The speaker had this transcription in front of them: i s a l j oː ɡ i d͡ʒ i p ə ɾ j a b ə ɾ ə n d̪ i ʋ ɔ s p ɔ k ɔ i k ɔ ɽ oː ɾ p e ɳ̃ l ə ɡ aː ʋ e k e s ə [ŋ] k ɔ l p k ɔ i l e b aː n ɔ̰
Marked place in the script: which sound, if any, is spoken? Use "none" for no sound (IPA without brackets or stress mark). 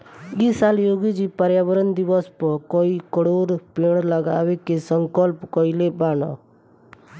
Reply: ŋ